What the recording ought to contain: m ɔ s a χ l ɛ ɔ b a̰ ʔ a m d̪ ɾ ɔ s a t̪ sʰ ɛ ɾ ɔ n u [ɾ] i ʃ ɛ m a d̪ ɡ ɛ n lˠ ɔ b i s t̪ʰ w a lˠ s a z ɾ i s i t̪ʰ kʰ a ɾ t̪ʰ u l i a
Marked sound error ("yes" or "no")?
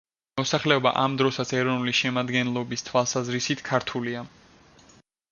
yes